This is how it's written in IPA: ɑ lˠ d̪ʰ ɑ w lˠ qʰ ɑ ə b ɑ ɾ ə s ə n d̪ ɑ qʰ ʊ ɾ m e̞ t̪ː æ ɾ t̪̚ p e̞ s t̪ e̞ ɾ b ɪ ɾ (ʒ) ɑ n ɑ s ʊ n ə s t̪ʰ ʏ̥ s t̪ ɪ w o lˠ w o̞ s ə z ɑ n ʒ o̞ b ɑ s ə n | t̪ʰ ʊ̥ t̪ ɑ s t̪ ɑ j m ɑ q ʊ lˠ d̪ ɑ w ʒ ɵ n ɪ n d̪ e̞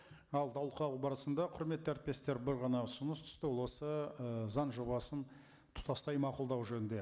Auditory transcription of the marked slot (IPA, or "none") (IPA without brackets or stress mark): ʁ